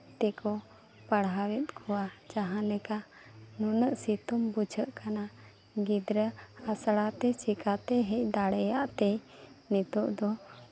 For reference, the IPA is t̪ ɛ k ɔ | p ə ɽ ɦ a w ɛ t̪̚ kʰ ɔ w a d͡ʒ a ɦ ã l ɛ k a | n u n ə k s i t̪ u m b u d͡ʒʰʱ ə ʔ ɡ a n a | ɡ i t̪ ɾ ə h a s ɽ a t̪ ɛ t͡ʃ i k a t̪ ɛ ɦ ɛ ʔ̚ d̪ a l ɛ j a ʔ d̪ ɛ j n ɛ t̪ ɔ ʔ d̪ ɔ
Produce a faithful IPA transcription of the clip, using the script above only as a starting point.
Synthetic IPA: t̪ ɛ k ɔ | p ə ɽ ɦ a w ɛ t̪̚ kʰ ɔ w a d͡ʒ a ɦ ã l ɛ k a | n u n ə ʔ s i t̪ u m b u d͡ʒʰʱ ə ʔ k a n a | ɡ i d̪ ɾ ə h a s ɽ a t̪ ɛ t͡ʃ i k a t̪ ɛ ɦ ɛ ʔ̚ d̪ a ɽ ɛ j a ʔ t̪ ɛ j n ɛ t̪ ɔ ʔ d̪ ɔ